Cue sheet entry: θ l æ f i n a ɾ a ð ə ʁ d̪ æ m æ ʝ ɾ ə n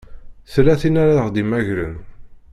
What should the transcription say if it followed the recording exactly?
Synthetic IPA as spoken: θ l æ θ i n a ɾ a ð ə ʁ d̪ i m æ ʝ ɾ ə n